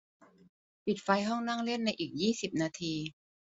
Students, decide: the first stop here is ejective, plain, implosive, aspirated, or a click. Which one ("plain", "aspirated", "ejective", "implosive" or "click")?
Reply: plain